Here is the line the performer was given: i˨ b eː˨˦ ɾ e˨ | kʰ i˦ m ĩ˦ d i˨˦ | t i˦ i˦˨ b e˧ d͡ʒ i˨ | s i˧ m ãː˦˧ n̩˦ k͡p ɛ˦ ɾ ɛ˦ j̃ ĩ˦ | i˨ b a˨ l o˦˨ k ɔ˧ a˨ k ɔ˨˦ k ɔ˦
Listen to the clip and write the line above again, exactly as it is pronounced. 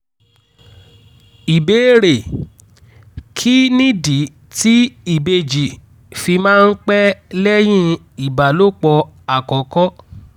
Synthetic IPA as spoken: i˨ b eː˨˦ ɾ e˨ | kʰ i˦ n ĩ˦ d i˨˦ | t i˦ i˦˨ b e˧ d͡ʒ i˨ | f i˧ m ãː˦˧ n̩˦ k͡p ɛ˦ l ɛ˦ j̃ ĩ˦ | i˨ b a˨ l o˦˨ k͡p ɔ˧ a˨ k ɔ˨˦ k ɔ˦

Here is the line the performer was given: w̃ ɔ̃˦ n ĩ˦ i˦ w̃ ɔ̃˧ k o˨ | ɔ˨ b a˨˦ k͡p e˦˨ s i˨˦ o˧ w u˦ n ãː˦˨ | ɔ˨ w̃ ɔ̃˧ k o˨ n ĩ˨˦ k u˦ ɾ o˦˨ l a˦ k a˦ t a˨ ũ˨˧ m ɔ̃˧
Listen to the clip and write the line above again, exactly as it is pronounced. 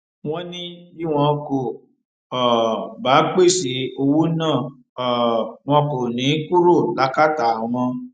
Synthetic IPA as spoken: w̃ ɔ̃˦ n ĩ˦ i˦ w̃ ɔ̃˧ k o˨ | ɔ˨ b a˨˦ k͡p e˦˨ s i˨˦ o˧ w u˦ n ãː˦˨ | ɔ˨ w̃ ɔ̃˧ k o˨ n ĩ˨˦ k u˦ ɾ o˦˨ l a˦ k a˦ t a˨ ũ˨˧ m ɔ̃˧

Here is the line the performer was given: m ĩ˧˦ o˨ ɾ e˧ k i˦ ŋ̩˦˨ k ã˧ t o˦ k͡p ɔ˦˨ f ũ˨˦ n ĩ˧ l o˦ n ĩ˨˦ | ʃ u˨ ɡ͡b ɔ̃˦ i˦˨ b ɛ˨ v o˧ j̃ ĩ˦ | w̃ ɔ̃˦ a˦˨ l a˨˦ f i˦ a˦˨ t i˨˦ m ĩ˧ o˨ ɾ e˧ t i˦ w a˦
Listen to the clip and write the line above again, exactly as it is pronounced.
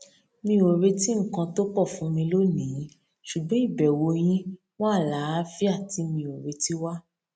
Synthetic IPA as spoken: m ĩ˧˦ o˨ ɾ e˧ t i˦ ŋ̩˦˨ k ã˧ t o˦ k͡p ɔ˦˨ f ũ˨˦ m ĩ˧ l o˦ n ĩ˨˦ | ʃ u˨ ɡ͡b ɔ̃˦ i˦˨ b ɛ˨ w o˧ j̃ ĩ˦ | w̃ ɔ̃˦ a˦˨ l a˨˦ f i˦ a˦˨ t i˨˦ m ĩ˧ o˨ ɾ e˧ t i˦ w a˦

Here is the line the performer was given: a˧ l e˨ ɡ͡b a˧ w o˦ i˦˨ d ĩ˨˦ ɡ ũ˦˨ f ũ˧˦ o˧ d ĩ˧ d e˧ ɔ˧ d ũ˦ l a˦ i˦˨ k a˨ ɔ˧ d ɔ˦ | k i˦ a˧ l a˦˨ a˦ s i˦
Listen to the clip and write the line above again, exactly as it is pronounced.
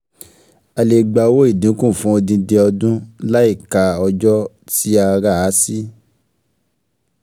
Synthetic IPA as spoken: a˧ l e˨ ɡ͡b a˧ w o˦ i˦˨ d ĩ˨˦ k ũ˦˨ f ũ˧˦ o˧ d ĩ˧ d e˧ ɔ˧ d ũ˦ l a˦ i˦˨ k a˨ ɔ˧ d͡ʒ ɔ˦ | t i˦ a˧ ɾ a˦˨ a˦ s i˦

